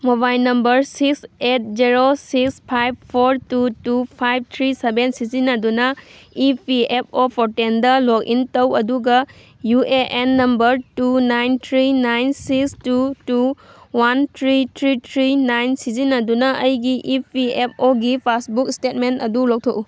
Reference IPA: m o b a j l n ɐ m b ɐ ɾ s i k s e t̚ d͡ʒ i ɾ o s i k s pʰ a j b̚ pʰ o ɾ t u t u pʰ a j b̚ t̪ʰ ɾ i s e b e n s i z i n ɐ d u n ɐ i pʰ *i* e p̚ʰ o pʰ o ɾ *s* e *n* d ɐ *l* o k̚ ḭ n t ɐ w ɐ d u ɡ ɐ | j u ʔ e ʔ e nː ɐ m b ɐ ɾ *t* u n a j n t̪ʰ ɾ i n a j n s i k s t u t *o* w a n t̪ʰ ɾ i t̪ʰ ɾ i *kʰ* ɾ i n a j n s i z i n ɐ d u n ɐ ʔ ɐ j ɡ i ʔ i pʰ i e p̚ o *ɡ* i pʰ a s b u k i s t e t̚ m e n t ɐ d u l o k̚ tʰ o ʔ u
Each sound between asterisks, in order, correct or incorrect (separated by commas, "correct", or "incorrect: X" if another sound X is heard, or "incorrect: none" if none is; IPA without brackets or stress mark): correct, incorrect: t, correct, correct, correct, incorrect: u, incorrect: tʰ, correct